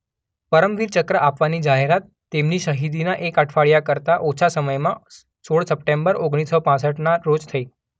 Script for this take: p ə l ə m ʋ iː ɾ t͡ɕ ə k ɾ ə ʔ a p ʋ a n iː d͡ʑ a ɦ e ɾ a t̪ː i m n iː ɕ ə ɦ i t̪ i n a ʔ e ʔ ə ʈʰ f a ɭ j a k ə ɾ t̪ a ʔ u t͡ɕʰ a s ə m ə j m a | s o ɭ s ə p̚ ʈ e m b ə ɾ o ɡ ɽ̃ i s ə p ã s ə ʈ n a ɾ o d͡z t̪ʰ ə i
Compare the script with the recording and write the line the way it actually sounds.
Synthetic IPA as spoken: p ə ɾ ə m ʋ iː ɾ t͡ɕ ə k ɾ ə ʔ a p ʋ a n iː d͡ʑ a ɦ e ɾ a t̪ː e m n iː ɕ ə ɦ i d̪ i n a ʔ e k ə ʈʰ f a ɭ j a k ə ɾ t̪ a ʔ o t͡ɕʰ a s ə m ə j m a | s o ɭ s ə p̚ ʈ e m b ə ɾ o ɡ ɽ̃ i s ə p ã s ə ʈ n a ɾ o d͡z t̪ʰ ə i